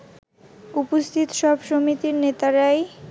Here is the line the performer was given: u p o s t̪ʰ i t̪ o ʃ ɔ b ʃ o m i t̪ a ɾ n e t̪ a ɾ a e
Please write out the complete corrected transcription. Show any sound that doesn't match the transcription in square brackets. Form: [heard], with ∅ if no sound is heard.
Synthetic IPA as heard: u p o s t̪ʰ i t̪ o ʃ ɔ b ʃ o m i t̪ [i] ɾ n e t̪ a ɾ a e